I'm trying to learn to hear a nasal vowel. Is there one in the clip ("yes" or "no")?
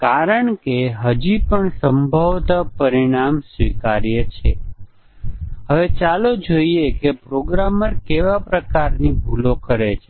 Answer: no